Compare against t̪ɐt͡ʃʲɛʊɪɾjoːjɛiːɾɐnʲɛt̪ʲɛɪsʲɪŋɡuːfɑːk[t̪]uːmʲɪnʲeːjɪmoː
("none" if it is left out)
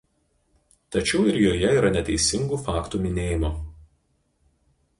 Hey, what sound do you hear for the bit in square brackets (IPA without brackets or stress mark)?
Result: t̪